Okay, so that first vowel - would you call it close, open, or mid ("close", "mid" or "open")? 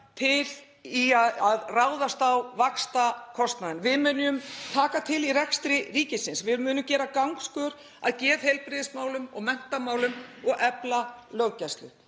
close